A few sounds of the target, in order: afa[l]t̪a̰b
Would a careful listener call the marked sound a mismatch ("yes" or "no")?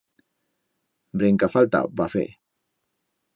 no